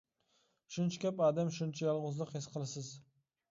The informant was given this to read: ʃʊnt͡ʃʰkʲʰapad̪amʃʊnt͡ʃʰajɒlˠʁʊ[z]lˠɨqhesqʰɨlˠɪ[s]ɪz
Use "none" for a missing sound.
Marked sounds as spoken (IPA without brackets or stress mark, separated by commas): z, s